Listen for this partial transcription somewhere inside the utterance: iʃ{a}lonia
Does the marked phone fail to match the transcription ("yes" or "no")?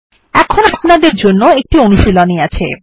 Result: yes